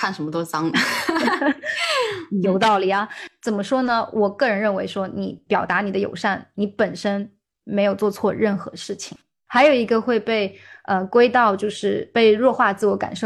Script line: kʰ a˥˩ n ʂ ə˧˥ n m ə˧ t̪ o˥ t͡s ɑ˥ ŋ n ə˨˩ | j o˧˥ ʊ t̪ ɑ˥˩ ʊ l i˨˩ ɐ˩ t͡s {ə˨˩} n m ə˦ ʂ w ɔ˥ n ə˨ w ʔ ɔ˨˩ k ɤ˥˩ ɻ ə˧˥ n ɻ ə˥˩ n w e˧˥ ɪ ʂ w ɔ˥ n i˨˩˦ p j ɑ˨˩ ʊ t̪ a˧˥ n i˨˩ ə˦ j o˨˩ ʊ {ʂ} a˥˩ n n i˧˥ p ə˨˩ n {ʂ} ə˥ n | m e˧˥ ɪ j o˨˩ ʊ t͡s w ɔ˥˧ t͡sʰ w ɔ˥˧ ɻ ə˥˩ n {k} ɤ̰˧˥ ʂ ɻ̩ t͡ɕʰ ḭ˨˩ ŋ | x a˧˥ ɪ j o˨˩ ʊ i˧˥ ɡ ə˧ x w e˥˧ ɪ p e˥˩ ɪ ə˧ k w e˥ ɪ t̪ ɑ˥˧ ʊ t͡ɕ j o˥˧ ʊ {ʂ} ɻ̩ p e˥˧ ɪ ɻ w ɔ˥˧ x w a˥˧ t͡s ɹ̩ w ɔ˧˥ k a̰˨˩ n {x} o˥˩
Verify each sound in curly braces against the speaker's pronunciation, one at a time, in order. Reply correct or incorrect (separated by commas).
correct, correct, correct, incorrect, correct, incorrect